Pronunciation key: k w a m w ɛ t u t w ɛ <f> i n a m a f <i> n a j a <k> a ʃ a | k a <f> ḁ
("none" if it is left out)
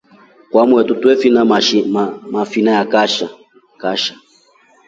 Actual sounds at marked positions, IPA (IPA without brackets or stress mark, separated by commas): f, i, k, ʃ